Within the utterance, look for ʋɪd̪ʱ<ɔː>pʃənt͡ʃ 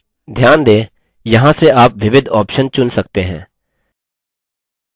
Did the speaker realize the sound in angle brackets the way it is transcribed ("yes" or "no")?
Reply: yes